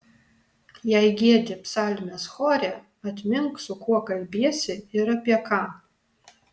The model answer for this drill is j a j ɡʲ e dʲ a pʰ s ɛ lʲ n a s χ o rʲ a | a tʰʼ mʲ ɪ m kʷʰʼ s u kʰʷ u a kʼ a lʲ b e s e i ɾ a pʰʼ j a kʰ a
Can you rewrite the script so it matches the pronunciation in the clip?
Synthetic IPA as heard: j a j ɡʲ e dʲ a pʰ s a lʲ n a s χ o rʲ a | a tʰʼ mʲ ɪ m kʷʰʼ s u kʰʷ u a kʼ a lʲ b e s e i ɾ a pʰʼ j a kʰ a